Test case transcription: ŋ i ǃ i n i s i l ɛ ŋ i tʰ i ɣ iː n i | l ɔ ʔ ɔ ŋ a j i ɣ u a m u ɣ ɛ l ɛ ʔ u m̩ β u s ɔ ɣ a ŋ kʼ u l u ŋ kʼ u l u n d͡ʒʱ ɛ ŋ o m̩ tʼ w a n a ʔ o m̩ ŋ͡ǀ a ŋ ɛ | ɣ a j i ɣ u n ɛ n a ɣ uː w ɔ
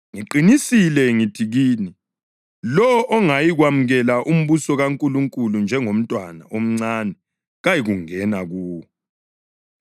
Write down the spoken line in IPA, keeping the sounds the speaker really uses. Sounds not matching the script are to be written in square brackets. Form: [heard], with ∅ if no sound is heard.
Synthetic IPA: ŋ i ǃ i n i s i l ɛ ŋ i tʰ i ɣ iː n i | l ɔ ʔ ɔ ŋ a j i ɣ [w] a m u ɣ ɛ l [a] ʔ u m̩ β u s ɔ ɣ a ŋ kʼ u l u ŋ kʼ u l u n d͡ʒʱ ɛ ŋ o m̩ tʼ w a n a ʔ o m̩ ŋ͡ǀ a [n] ɛ | ɣ a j i ɣ u [ŋ] ɛ n a ɣ uː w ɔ